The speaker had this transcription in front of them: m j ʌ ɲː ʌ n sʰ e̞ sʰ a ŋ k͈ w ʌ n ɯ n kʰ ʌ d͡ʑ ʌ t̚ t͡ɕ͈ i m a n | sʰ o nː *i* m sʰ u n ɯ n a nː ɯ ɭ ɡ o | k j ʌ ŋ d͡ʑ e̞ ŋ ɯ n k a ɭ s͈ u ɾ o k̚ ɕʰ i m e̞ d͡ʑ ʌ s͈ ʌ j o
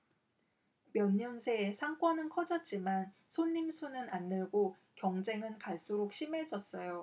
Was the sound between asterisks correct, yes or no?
yes